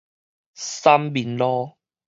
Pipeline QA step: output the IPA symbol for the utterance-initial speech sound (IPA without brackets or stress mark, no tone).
s